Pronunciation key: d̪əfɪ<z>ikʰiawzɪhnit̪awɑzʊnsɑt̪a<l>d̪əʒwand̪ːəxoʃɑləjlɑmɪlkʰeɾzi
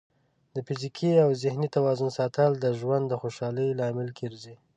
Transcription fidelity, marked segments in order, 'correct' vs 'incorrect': correct, correct

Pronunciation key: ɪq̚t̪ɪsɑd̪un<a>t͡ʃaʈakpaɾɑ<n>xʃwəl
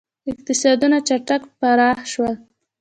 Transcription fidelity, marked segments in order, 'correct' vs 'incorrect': correct, incorrect: none

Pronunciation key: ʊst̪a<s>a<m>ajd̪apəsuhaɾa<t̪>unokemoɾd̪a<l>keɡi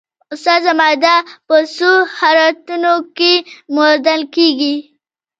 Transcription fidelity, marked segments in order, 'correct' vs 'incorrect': incorrect: z, correct, correct, correct

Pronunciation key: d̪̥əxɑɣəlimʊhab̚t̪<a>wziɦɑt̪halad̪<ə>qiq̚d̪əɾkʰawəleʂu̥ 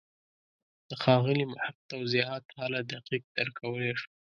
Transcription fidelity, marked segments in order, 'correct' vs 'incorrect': correct, incorrect: a

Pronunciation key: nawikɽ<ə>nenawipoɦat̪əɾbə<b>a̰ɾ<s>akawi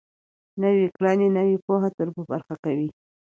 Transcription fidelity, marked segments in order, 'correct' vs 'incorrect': incorrect: ɑ, correct, incorrect: x

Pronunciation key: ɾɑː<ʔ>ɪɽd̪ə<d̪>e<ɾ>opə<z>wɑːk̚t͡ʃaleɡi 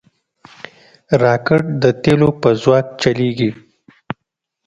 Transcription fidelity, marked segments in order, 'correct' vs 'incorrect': incorrect: k, incorrect: t̪, incorrect: l, correct

